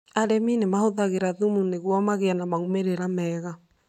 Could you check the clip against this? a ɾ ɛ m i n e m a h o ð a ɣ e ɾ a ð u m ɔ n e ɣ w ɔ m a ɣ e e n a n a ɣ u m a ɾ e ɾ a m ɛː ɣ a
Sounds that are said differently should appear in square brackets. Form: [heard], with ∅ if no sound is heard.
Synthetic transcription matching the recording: a ɾ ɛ m i n e m a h o ð a ɣ e ɾ a ð u m [u] n e ɣ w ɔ m a ɣ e [a] n a [m] a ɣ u m [e] ɾ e ɾ a m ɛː ɣ a